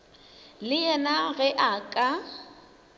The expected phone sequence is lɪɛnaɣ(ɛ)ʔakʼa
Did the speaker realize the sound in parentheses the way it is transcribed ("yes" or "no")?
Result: yes